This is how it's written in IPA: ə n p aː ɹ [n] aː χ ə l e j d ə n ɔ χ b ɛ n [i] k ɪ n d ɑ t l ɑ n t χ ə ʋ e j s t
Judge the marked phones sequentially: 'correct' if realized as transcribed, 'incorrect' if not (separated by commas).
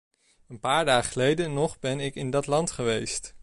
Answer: incorrect, incorrect